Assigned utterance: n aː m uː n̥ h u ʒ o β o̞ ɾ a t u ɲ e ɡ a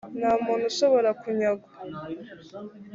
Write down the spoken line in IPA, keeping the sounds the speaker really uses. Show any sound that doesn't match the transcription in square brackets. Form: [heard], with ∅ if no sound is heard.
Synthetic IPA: n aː m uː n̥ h u [ʃ] o β o̞ ɾ a [k] u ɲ [a] ɡ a

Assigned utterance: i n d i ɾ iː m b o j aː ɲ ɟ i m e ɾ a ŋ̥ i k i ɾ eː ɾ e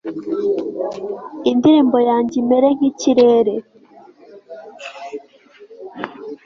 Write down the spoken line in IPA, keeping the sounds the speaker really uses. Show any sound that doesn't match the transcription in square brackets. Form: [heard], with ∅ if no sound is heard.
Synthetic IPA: i n d i ɾ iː m b o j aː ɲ ɟ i m e ɾ [e] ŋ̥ i [c] i ɾ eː ɾ e

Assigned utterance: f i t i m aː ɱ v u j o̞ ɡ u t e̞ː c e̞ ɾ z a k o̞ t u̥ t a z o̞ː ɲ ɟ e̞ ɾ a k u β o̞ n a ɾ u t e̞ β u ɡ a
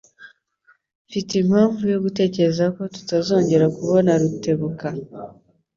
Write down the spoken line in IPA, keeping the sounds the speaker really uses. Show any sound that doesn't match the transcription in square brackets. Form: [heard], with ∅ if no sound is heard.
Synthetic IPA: f i t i m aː ɱ v u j o̞ ɡ u t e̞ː c e̞ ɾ z a k o̞ t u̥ t a z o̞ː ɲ ɟ e̞ ɾ a k u β o̞ n a ɾ u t e̞ β u [k] a

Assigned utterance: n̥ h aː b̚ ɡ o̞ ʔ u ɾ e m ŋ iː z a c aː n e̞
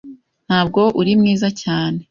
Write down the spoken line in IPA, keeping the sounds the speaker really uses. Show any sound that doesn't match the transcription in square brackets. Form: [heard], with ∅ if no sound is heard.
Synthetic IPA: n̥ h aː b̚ ɡ o̞ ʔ u ɾ [i] m ŋ iː z a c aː n e̞

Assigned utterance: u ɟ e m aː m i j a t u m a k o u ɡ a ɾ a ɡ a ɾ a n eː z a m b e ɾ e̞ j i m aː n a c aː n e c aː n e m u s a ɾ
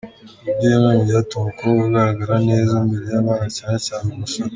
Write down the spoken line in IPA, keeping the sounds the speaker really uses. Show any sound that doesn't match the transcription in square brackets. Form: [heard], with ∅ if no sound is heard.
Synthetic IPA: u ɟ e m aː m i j a t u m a k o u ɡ a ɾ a ɡ a ɾ a n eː z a m b e ɾ e̞ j [a] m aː n a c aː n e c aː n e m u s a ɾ

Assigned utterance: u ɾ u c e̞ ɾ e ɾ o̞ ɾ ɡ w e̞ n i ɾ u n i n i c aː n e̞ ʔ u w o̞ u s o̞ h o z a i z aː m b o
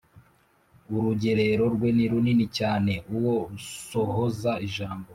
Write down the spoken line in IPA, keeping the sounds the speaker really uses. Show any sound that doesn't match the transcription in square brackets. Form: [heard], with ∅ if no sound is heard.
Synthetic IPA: u ɾ u [ɟ] e̞ ɾ e ɾ o̞ ɾ ɡ w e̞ n i ɾ u n i n i c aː n e̞ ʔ u w o̞ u s o̞ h o z a i [ʒ] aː m b o

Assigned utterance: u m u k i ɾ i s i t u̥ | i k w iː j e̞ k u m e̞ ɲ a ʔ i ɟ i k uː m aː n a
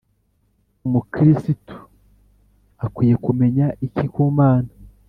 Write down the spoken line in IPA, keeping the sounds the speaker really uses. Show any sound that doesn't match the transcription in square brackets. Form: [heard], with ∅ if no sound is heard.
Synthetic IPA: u m u k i ɾ i s i t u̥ | [a] k w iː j e̞ k u m e̞ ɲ a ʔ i [c] i k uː m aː n a

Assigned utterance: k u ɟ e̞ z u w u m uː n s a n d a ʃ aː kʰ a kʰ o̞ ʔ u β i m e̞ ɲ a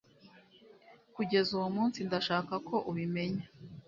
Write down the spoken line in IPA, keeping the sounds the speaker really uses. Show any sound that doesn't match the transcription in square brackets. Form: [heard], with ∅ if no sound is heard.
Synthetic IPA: k u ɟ e̞ z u w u m uː n s [i] n d a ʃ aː [k] a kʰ o̞ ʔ u β i m e̞ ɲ a

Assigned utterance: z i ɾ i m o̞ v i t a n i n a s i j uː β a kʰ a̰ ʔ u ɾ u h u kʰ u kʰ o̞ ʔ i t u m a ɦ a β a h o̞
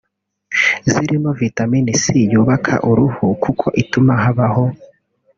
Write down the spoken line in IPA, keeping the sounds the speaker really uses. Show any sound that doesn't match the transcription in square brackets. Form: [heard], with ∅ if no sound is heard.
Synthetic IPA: z i ɾ i m o̞ v i t a [m] i n [i] s i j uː β a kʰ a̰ ʔ u ɾ u h u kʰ u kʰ o̞ ʔ i t u m a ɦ a β a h o̞

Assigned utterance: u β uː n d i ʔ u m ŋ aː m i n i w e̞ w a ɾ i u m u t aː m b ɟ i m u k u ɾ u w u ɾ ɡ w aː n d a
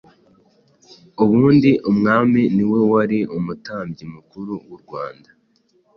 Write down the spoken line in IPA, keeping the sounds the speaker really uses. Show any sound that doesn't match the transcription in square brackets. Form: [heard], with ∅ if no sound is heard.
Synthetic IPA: u β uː n d i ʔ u m ŋ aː m i n i w e̞ w a ɾ i u m u t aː m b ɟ i m u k u ɾ u w u ɾ ɡ w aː n d a

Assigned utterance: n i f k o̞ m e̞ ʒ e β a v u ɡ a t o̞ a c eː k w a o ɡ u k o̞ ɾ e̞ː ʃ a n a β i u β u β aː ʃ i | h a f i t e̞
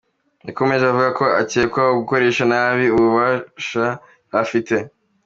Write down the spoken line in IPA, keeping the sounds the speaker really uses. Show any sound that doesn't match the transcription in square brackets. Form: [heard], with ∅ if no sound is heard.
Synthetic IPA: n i [∅] k o̞ m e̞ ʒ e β a v u ɡ a [k] o̞ a c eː k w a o ɡ u k o̞ ɾ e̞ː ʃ a n a β i u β u β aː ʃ [a] | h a f i t e̞

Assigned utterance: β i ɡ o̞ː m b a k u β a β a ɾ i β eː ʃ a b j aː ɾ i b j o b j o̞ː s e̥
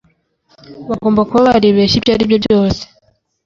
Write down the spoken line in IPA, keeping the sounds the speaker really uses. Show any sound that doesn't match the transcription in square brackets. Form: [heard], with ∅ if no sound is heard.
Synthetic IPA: β [a] ɡ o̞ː m b a k u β a β a ɾ i β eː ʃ [i] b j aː ɾ i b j o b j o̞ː s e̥

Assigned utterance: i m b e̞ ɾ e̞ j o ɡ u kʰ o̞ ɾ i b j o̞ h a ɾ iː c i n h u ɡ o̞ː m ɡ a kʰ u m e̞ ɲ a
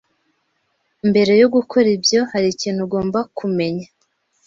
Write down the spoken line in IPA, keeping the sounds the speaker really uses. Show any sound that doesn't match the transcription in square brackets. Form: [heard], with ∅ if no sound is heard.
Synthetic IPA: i m b e̞ ɾ e̞ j o ɡ u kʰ o̞ ɾ i b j o̞ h a ɾ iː c [iː] n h u ɡ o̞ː m [b] a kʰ u m e̞ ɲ a

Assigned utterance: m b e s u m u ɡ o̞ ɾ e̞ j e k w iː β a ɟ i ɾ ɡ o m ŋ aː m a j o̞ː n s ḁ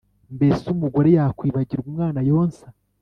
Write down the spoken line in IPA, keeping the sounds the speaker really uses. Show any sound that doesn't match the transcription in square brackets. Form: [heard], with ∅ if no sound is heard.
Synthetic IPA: m b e s u m u ɡ o̞ ɾ e̞ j [a] k w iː β a ɟ i ɾ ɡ [u] m ŋ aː [n] a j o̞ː n s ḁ

